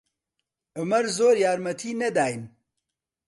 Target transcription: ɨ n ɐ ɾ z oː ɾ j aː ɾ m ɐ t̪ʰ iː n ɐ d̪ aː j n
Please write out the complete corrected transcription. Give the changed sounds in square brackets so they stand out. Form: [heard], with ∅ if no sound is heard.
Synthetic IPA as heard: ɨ [m] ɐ ɾ z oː ɾ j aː ɾ m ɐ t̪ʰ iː n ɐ d̪ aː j n